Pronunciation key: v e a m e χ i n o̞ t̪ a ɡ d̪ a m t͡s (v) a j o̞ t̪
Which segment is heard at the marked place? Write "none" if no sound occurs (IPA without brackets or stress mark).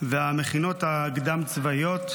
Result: v